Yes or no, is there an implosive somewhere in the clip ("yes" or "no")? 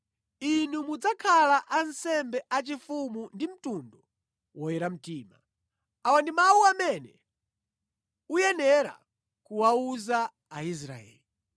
no